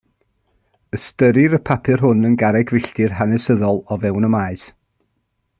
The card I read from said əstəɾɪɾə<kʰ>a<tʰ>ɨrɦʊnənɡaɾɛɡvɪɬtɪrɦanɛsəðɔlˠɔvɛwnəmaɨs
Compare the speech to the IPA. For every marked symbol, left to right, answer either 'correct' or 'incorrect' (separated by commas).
incorrect, incorrect